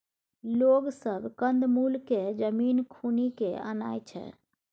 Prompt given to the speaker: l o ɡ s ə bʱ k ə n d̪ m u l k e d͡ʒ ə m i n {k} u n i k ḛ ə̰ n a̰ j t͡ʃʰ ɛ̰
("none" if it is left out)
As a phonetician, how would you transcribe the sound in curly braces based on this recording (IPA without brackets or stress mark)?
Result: kʰ